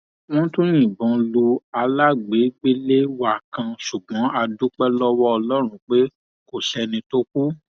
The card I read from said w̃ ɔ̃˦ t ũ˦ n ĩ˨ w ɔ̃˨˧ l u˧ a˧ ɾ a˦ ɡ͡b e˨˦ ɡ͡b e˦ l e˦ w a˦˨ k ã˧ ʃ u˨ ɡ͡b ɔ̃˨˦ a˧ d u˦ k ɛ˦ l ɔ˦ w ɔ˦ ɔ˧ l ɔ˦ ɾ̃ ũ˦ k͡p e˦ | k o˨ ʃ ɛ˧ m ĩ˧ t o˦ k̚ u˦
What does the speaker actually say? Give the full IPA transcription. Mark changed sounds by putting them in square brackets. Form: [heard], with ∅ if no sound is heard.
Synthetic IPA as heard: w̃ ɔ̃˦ t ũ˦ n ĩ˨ [b] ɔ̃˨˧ l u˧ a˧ [l] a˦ ɡ͡b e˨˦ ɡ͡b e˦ l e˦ w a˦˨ k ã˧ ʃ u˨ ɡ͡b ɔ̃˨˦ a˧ d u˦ [k͡p] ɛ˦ l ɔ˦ w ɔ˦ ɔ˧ l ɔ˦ ɾ̃ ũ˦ k͡p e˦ | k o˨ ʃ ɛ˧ [n] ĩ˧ t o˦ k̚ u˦